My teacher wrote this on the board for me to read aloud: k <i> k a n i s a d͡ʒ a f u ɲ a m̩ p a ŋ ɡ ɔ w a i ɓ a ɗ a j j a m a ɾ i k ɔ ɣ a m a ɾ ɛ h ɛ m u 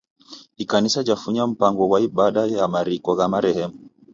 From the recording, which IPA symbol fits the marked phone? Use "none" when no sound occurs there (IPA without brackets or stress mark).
i